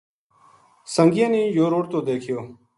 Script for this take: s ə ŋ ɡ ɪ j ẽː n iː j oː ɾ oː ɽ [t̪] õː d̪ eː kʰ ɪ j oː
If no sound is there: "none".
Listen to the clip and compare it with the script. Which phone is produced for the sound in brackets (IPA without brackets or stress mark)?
t̪